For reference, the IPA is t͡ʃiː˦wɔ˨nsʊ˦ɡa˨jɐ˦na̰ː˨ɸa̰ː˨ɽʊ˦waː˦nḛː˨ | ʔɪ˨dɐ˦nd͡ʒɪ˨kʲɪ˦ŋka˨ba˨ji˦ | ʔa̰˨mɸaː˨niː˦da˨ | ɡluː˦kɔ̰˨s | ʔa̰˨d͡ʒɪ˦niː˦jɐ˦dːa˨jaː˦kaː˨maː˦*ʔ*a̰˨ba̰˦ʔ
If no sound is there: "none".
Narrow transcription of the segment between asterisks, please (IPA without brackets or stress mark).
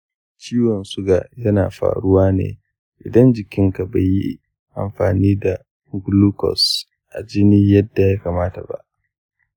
t